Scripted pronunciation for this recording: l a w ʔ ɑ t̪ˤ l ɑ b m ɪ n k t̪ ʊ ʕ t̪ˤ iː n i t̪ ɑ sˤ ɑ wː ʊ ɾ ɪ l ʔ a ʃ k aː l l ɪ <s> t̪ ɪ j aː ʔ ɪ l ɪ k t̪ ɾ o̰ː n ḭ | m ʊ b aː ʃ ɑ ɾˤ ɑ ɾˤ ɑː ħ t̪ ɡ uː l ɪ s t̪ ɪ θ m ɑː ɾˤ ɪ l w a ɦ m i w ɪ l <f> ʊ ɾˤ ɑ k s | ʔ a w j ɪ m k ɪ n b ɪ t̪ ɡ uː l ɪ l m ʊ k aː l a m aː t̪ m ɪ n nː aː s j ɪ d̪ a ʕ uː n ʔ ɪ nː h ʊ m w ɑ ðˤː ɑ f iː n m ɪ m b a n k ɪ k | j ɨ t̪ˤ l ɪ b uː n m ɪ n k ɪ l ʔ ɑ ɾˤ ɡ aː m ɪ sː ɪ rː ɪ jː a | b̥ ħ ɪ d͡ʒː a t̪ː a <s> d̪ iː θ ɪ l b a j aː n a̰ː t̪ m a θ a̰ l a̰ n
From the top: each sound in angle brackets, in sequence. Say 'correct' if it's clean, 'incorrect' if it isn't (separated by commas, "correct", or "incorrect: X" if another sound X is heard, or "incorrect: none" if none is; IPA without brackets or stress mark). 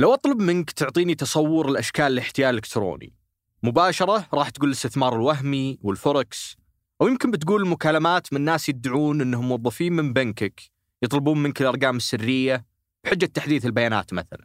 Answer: incorrect: ħ, correct, incorrect: ħ